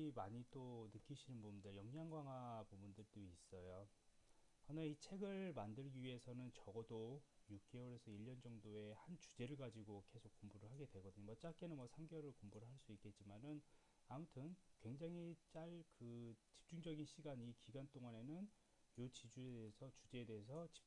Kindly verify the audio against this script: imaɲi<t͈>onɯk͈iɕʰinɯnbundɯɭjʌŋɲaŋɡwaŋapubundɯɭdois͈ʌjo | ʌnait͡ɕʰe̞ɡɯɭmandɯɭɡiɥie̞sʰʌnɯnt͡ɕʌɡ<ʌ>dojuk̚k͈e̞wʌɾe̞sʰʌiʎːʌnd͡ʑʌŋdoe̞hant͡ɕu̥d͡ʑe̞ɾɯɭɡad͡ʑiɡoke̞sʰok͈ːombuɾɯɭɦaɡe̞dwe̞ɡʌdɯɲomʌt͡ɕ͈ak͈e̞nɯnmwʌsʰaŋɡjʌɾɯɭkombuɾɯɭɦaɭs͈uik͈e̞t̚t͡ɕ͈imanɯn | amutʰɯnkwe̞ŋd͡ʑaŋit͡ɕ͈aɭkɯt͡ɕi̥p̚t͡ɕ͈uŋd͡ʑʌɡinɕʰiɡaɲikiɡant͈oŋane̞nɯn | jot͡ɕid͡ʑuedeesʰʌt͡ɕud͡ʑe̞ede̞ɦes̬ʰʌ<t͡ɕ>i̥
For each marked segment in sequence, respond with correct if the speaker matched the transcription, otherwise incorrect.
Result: correct, correct, correct

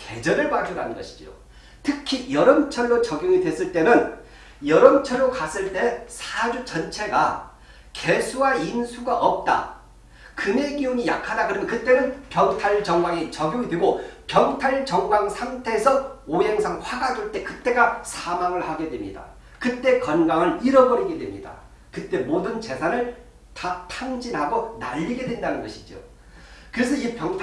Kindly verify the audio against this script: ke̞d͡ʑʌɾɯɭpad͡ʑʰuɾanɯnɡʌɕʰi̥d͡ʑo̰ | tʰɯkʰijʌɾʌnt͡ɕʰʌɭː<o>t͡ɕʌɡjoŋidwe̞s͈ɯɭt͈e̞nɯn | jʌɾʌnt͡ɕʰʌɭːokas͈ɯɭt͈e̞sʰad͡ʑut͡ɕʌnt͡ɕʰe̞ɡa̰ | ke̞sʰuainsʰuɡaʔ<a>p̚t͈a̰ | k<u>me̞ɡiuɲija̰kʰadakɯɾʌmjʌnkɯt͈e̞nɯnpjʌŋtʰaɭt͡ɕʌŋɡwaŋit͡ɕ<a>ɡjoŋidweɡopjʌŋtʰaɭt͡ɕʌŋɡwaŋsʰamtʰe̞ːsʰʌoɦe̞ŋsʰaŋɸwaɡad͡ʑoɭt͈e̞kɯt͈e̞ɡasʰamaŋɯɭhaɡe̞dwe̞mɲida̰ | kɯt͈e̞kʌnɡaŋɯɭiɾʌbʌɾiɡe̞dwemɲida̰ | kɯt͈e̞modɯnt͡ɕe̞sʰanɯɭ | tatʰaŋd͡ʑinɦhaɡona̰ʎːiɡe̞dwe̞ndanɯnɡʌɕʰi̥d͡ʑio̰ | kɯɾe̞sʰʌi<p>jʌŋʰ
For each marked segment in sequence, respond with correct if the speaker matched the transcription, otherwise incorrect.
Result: correct, incorrect: ʌ, incorrect: ɯ, incorrect: ʌ, correct

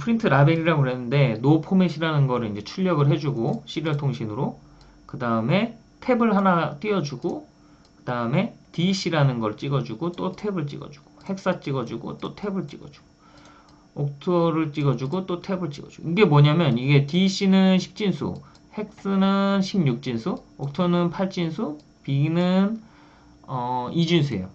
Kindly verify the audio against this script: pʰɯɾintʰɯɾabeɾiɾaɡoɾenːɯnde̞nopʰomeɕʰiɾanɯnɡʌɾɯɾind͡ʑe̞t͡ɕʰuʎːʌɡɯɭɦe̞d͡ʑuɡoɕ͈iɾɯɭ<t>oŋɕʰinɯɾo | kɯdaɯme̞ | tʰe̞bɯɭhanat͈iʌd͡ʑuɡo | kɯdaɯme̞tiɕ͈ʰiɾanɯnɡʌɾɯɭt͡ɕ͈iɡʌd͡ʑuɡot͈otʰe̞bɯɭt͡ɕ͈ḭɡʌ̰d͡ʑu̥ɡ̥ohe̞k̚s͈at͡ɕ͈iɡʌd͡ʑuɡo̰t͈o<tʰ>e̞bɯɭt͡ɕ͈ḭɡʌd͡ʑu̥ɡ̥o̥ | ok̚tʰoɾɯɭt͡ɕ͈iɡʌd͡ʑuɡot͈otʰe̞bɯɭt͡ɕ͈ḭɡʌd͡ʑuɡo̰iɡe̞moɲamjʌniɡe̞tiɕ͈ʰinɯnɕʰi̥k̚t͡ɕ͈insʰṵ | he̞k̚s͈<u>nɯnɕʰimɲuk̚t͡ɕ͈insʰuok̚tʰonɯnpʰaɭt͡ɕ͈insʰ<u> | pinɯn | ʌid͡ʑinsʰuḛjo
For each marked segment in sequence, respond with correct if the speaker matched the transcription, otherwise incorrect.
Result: incorrect: tʰ, correct, incorrect: ɯ, correct

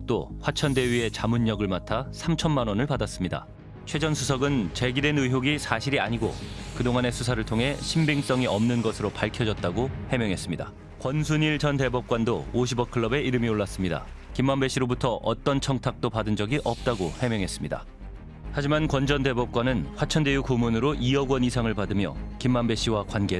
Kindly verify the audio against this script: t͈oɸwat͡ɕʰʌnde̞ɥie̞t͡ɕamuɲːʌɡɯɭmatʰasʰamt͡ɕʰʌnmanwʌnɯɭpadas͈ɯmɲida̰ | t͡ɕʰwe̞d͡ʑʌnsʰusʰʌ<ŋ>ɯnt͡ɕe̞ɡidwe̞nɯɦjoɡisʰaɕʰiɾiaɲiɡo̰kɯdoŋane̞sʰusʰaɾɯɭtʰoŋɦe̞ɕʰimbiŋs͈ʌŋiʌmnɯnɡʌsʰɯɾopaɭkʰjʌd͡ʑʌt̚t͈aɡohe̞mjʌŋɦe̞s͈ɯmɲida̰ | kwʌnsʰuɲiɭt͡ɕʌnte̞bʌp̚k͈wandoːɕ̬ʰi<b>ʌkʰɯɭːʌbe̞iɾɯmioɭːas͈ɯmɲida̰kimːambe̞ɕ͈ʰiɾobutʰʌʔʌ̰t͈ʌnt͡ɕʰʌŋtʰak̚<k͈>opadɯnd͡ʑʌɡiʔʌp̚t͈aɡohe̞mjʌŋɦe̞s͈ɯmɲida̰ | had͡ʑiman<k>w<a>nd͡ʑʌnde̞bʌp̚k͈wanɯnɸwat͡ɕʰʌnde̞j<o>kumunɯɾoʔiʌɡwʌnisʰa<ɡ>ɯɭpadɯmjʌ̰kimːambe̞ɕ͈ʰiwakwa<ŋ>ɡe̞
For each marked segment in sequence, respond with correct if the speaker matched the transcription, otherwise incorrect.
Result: incorrect: ɡ, correct, incorrect: t͈, correct, incorrect: ʌ, incorrect: u, incorrect: ŋ, incorrect: n

